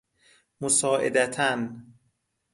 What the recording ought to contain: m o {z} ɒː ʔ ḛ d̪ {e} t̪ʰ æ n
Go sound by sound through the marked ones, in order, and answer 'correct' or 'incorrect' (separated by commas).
incorrect, incorrect